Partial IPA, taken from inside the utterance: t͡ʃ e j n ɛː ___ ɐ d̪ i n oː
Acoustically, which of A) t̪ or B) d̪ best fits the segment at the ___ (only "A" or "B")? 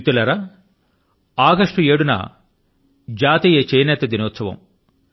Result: A